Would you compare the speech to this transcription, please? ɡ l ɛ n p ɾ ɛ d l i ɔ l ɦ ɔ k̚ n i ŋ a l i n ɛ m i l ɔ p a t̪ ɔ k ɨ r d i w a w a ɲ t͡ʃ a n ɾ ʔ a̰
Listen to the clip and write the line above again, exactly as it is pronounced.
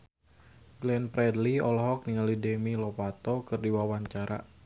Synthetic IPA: ɡ l ɛ n p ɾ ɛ d l i ɔ l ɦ ɔ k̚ n i ŋ a l i d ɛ m i l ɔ p a t̪ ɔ k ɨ r d i w a w a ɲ t͡ʃ a ɾ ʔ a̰